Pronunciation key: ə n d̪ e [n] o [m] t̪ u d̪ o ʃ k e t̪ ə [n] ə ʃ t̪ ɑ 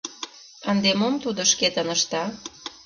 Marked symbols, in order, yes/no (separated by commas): no, yes, yes